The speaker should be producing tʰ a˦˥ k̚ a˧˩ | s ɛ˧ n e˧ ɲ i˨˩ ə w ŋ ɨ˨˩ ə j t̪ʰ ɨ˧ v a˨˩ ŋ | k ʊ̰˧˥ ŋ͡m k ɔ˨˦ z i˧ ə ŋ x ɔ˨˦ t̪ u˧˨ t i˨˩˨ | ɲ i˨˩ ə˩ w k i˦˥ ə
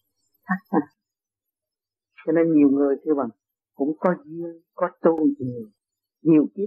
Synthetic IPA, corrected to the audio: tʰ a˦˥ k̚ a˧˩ | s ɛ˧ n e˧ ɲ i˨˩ ə w ŋ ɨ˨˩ ə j t̪ʰ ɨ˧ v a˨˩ ŋ | k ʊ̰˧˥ ŋ͡m k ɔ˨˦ z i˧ ə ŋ k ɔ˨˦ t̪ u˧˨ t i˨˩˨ | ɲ i˨˩ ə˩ w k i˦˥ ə